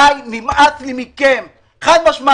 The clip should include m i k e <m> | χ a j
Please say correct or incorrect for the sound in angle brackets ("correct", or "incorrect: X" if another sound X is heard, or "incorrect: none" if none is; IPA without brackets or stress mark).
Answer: correct